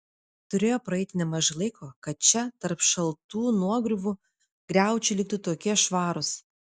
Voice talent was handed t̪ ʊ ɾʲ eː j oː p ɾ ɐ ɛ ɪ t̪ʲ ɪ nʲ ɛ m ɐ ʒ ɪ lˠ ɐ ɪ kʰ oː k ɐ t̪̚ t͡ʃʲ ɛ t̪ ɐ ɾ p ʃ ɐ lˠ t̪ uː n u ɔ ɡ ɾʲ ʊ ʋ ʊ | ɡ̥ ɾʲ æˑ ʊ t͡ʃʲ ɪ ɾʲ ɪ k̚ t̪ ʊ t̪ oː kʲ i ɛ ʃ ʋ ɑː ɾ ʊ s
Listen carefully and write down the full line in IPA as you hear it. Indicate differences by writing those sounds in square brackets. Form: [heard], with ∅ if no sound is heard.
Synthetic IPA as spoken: t̪ ʊ ɾʲ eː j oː p ɾ ɐ ɛ ɪ t̪ʲ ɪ nʲ ɛ m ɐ ʒ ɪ lˠ ɐ ɪ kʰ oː k ɐ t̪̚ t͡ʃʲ ɛ t̪ ɐ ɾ p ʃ ɐ lˠ t̪ uː n u ɔ ɡ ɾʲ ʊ ʋ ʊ | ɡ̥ ɾʲ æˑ ʊ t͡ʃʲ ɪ [lʲ] ɪ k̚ t̪ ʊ t̪ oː kʲ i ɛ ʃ ʋ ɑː ɾ ʊ s

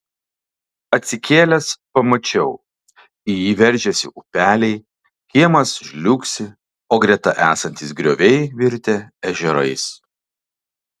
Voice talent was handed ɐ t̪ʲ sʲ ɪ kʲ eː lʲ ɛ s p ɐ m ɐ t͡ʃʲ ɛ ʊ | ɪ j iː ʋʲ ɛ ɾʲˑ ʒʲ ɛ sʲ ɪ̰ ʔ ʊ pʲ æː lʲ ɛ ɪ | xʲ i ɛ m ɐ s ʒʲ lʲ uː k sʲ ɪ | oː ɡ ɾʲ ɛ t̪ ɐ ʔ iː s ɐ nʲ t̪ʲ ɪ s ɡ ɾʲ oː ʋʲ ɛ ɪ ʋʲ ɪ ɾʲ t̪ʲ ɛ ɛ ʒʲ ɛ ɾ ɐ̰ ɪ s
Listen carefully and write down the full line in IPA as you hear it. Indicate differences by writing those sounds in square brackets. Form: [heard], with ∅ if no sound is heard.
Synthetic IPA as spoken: ɐ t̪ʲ sʲ ɪ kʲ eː lʲ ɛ s p ɐ m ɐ t͡ʃʲ ɛ ʊ | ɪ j iː ʋʲ ɛ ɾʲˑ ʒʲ ɛ sʲ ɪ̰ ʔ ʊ pʲ æː lʲ ɛ ɪ | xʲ i ɛ m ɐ s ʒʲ lʲ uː k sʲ ɪ | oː ɡ ɾʲ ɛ t̪ ɐ ʔ [æː] s ɐ nʲ t̪ʲ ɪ s ɡ ɾʲ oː ʋʲ ɛ ɪ ʋʲ ɪ ɾʲ t̪ʲ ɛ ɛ ʒʲ ɛ ɾ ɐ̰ ɪ s

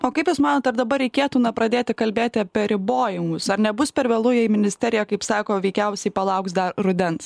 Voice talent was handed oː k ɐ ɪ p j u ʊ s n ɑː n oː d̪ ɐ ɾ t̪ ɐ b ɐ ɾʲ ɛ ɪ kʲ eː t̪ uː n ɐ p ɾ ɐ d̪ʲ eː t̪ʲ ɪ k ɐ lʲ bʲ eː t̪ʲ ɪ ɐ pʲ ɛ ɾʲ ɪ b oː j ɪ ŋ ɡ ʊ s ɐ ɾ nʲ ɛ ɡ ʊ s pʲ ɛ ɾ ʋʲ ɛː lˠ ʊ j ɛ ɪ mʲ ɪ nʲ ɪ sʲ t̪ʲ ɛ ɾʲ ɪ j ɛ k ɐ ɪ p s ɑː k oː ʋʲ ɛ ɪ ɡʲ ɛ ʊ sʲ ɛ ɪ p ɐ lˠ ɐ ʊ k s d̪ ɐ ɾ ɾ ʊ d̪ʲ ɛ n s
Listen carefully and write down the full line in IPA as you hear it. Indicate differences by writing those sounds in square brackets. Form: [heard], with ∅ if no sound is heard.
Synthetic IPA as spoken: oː k ɐ ɪ p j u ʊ s [m] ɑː n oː [t̪] ɐ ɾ [d̪] ɐ b ɐ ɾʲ ɛ ɪ kʲ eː t̪ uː n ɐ p ɾ ɐ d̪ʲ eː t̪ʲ ɪ k ɐ lʲ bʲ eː t̪ʲ ɪ ɐ pʲ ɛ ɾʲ ɪ b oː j ɪ ŋ ɡ ʊ s ɐ ɾ nʲ ɛ [b] ʊ s pʲ ɛ ɾ ʋʲ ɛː lˠ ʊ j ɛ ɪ mʲ ɪ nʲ ɪ sʲ t̪ʲ ɛ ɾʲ ɪ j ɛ k ɐ ɪ p s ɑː k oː ʋʲ ɛ ɪ [kʲ] ɛ ʊ sʲ ɛ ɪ p ɐ lˠ ɐ ʊ k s d̪ ɐ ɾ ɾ ʊ d̪ʲ ɛ n s

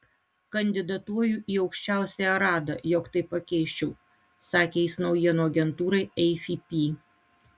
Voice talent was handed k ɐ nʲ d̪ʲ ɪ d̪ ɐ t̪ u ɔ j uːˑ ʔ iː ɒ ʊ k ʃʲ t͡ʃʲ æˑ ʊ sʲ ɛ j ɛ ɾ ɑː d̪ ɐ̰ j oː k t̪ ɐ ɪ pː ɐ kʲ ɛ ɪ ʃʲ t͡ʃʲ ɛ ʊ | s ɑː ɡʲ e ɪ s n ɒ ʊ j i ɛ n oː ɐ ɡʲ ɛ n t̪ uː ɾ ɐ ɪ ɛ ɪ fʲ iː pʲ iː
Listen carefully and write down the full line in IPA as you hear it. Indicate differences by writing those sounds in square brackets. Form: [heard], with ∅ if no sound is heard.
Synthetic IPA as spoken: k ɐ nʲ d̪ʲ ɪ d̪ ɐ t̪ u ɔ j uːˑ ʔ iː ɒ ʊ k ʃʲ t͡ʃʲ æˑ ʊ sʲ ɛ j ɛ ɾ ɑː d̪ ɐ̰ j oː k t̪ ɐ ɪ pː ɐ kʲ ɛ ɪ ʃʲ t͡ʃʲ ɛ ʊ | s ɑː [kʲ] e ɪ s n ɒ ʊ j i ɛ n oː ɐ ɡʲ ɛ n t̪ uː ɾ ɐ ɪ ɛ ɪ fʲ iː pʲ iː

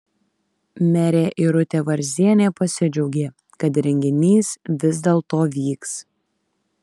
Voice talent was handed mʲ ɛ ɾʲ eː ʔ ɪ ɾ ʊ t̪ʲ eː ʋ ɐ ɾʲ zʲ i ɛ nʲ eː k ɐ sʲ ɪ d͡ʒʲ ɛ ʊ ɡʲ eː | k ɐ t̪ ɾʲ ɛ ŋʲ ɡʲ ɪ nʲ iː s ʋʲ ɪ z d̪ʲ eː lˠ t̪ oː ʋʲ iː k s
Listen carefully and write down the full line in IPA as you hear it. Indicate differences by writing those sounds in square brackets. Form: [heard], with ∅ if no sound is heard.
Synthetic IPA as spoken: mʲ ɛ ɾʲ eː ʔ ɪ ɾ ʊ t̪ʲ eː ʋ ɐ ɾʲ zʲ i ɛ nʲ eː [p] ɐ sʲ ɪ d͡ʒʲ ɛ ʊ ɡʲ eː | k ɐ t̪ ɾʲ ɛ ŋʲ ɡʲ ɪ nʲ iː s ʋʲ ɪ z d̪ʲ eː lˠ t̪ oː ʋʲ iː k s

